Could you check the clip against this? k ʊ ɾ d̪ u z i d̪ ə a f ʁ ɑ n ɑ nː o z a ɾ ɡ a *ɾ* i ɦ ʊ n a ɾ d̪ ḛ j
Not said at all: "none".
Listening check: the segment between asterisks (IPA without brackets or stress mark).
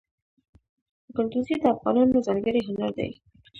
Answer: ɾ